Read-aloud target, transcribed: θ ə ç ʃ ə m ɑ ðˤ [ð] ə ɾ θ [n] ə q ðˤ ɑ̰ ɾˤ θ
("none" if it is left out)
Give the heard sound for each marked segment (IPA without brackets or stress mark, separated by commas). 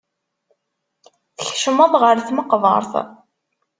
ʁ, m